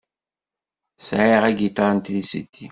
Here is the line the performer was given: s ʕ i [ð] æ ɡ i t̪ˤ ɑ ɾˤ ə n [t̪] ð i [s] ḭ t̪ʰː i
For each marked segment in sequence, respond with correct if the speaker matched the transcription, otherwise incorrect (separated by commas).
incorrect, correct, correct